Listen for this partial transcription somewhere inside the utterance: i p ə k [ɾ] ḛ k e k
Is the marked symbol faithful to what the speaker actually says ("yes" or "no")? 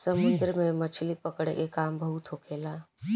no